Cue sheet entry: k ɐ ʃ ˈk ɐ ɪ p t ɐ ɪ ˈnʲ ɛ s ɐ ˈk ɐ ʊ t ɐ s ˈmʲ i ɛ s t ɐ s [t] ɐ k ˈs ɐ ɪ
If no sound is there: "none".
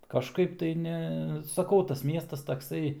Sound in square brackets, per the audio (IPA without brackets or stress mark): t